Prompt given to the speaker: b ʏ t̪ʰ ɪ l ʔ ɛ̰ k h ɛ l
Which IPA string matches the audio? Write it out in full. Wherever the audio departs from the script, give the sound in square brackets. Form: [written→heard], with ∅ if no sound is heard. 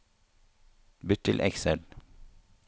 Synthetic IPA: b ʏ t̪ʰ ɪ l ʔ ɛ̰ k [h→s] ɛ l